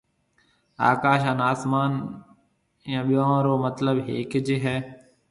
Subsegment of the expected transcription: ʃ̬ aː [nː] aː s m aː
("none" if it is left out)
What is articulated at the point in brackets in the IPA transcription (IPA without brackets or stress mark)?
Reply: n